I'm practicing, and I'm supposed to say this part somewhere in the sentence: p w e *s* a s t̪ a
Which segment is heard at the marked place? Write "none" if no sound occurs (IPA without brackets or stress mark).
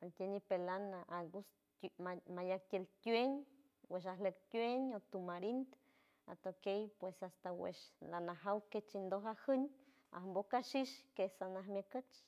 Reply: s